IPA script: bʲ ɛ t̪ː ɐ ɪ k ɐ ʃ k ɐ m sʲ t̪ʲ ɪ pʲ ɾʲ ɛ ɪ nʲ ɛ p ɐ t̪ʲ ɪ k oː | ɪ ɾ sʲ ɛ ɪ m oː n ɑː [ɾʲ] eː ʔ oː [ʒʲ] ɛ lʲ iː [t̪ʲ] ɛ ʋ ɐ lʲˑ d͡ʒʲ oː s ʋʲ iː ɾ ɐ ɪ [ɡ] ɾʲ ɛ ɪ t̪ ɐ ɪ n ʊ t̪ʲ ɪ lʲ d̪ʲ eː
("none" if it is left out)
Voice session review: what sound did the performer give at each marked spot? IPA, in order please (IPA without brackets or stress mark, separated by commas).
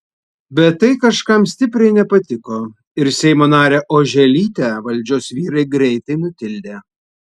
ɾʲ, ʒʲ, t̪ʲ, ɡ